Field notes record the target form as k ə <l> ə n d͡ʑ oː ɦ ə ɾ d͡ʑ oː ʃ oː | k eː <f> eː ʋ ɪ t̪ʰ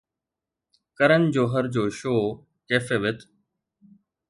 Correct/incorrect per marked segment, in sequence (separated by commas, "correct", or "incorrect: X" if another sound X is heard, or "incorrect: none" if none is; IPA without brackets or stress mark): incorrect: ɾ, correct